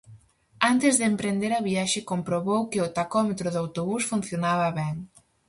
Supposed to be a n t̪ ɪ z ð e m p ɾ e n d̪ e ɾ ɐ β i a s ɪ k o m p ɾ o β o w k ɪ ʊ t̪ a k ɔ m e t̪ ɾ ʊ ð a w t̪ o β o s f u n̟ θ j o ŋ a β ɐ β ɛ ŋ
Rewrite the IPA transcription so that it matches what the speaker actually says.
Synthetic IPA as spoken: a n t̪ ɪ z ð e m p ɾ e n d̪ e ɾ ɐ β i a ʃ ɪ k o m p ɾ o β o w k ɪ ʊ t̪ a k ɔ m e t̪ ɾ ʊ ð a w t̪ o β u s f u n̟ θ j o n a β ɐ β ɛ ŋ